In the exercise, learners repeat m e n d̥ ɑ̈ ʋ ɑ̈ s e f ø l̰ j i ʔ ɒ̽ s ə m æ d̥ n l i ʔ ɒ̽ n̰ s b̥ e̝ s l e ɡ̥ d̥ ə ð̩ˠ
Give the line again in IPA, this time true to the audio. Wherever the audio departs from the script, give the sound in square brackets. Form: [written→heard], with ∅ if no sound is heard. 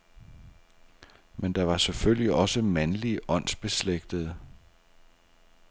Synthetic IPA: m e n d̥ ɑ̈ ʋ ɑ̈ s e f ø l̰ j i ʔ ɒ̽ s ə m æ [d̥→∅] n l i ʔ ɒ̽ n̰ s b̥ e̝ s l e ɡ̥ d̥ ə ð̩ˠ